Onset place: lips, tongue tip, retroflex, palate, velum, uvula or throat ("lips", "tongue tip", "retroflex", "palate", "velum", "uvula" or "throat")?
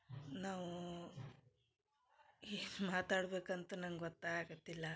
tongue tip